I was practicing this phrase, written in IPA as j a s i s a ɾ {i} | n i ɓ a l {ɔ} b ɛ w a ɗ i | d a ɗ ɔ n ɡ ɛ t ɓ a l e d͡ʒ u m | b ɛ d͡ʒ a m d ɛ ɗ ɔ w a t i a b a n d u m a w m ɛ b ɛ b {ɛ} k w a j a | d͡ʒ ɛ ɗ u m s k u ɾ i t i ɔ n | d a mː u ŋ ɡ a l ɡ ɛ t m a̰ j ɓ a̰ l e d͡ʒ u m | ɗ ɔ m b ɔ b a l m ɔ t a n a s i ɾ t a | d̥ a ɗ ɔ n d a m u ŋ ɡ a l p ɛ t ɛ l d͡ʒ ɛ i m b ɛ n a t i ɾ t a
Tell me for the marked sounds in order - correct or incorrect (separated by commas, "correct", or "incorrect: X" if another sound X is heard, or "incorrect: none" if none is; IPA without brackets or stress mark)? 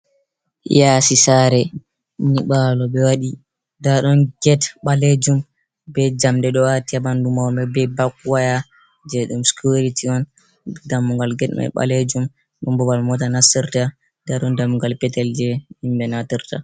incorrect: ɛ, correct, incorrect: a